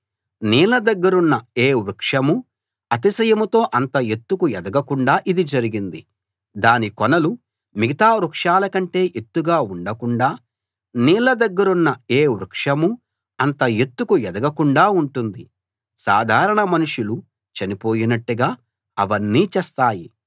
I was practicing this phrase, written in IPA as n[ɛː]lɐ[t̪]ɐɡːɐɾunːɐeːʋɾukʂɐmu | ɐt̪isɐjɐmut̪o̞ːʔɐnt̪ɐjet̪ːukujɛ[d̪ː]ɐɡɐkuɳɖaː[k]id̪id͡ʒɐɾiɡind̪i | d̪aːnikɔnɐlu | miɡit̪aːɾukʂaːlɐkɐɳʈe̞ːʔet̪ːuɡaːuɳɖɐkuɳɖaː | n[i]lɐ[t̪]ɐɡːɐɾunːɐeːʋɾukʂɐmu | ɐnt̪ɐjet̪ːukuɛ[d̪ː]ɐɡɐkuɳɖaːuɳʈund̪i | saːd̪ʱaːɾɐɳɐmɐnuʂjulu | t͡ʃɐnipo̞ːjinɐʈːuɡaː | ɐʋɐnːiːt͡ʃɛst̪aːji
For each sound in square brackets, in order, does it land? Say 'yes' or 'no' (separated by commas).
no, no, no, no, no, no, no